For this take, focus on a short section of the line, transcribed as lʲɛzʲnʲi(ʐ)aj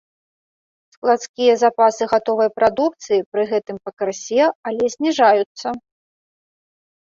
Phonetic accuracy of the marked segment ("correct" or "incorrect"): correct